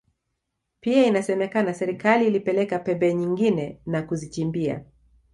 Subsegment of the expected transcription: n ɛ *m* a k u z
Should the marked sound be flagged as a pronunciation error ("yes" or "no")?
yes